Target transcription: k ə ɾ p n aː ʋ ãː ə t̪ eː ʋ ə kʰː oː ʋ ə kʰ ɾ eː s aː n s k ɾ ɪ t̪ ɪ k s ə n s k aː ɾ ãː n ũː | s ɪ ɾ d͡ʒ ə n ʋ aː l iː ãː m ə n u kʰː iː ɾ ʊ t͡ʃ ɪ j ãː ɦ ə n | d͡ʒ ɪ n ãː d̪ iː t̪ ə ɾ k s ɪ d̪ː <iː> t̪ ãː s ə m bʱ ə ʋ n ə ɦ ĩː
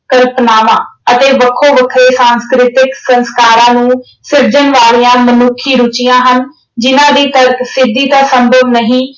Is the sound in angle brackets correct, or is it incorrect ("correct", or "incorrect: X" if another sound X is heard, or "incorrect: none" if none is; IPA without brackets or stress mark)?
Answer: correct